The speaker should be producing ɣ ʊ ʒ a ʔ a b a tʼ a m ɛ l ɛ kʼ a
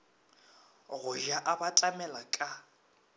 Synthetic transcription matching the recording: ɣ ʊ ʒ a ʔ a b a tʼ a m ɛ l a kʼ a